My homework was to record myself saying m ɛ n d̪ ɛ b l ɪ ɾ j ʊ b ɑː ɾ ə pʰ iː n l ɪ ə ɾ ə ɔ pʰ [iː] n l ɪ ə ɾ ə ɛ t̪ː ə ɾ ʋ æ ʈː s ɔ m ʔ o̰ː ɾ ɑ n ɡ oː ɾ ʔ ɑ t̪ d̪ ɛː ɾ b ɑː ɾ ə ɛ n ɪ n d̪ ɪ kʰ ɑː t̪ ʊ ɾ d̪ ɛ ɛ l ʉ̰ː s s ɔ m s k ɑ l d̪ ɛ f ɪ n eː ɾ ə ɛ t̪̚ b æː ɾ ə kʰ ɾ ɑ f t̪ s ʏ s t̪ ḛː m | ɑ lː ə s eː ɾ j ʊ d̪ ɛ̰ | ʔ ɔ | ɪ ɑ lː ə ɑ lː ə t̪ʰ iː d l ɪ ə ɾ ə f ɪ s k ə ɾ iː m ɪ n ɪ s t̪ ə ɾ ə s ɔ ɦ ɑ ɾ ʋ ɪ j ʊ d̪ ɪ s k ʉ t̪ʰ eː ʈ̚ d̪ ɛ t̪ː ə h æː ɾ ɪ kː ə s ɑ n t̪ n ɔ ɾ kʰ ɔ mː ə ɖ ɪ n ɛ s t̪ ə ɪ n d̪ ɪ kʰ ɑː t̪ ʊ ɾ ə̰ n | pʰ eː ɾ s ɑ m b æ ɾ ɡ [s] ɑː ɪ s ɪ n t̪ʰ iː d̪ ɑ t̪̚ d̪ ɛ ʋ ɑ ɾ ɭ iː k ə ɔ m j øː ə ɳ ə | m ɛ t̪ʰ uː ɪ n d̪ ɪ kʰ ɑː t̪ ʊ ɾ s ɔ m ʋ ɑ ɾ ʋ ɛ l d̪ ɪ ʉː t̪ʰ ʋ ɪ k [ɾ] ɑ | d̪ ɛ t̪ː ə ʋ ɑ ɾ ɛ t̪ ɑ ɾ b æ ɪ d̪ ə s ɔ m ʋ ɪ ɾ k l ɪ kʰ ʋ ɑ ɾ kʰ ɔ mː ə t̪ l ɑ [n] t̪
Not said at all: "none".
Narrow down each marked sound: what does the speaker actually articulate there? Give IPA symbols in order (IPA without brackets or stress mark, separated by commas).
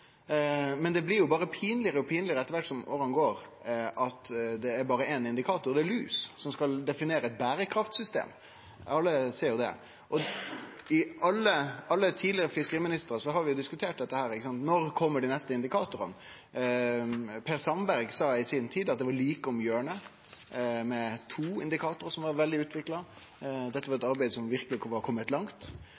iː, s, l, ŋ